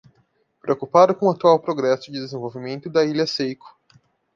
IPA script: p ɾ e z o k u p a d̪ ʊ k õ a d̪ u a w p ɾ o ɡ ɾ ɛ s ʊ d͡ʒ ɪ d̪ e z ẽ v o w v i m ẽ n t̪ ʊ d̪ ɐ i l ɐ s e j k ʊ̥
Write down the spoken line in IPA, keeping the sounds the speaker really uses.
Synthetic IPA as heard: p ɾ e o k u p a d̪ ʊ k õ a t̪ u a w p ɾ o ɡ ɾ ɛ s ʊ d͡ʒ ɪ d̪ e z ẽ v o w v i m ẽ n t̪ ʊ d̪ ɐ i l ɐ s e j k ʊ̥